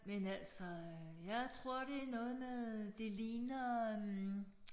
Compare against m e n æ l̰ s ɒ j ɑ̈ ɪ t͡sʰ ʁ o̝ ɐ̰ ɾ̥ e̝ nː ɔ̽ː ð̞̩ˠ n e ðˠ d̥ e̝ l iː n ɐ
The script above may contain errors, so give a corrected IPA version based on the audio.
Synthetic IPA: m e n æ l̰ s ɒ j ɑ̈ ɪ t͡sʰ ʁ o̝ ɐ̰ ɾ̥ e̝ n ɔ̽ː ð̞̩ˠ m e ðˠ d̥ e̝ l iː n ɐ